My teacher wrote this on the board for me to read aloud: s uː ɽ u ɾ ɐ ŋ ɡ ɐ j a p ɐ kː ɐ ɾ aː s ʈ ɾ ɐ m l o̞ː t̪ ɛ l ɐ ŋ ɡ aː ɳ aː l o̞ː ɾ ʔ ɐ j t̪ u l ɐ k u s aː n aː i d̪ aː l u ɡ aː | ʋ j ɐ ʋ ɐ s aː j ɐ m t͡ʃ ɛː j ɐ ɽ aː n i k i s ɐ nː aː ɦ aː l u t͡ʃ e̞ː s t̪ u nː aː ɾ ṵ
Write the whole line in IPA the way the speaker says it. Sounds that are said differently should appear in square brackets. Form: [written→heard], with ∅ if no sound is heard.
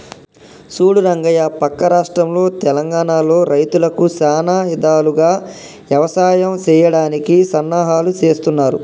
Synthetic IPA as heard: s uː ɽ u ɾ ɐ ŋ ɡ ɐ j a p ɐ kː ɐ ɾ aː [s→ʂ] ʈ ɾ ɐ m l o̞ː t̪ ɛ l ɐ ŋ ɡ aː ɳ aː l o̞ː ɾ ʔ ɐ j t̪ u l ɐ k u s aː n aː i d̪ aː l u ɡ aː | ʋ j ɐ ʋ ɐ s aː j ɐ m t͡ʃ ɛː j ɐ ɽ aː n i k i s ɐ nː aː ɦ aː l u t͡ʃ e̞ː s t̪ u nː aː ɾ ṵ